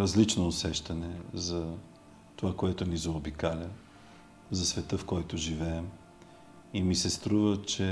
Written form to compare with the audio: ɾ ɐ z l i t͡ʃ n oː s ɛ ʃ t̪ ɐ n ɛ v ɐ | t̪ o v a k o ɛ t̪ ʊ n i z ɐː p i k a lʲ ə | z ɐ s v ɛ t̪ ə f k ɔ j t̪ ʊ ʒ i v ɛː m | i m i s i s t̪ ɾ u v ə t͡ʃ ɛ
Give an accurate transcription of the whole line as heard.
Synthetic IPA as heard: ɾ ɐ z l i t͡ʃ n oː s ɛ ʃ t̪ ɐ n ɛ z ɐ | t̪ o v a k o ɛ t̪ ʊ n i z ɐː b i k a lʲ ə | z ɐ s v ɛ t̪ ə f k ɔ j t̪ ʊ ʒ i v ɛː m | i m i s ɛ s t̪ ɾ u v ə t͡ʃ ɛ